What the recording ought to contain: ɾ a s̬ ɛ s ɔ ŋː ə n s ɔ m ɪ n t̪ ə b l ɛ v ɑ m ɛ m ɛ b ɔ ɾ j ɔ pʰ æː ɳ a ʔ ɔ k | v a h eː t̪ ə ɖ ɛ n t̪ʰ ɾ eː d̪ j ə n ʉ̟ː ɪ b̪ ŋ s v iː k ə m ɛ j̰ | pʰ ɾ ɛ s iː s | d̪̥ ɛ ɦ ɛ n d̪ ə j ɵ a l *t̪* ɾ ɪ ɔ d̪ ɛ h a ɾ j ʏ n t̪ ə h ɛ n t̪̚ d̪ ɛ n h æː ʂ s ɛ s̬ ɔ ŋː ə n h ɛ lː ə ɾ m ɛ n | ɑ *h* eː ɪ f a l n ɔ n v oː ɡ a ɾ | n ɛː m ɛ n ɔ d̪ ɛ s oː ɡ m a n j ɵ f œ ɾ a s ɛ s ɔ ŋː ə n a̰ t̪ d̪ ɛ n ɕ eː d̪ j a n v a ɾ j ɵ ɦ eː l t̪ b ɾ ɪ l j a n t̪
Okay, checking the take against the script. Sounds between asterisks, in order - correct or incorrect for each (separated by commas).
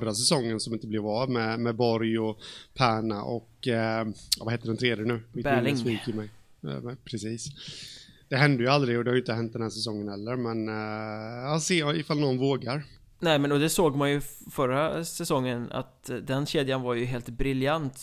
incorrect, incorrect